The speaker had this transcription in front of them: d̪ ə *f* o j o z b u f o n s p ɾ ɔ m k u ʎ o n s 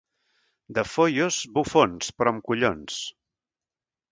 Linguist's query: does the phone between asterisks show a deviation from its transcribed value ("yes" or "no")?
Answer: no